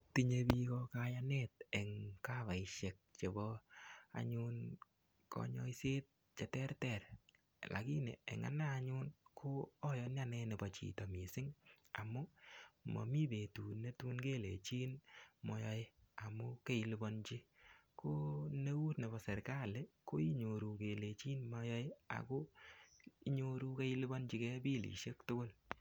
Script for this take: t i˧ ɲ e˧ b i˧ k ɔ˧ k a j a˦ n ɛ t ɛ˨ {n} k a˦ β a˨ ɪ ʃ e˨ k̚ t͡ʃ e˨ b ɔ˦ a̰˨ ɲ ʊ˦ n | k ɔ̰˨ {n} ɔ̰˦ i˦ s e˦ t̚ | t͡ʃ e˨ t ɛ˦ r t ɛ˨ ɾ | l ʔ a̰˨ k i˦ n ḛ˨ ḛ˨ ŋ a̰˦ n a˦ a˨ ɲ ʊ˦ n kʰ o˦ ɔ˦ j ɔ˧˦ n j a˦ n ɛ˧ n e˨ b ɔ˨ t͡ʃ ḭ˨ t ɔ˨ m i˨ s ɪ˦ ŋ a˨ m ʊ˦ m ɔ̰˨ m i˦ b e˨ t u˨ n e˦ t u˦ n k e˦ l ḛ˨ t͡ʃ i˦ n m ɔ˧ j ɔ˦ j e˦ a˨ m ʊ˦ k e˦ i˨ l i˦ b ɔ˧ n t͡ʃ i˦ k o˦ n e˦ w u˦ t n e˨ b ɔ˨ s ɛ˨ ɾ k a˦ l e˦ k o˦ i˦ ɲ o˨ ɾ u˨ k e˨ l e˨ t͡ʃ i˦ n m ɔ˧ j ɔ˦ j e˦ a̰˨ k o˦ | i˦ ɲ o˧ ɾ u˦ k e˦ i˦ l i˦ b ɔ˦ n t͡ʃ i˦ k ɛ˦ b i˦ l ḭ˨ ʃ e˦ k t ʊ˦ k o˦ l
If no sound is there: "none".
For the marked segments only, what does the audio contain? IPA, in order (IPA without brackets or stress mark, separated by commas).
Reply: ŋ, ɲ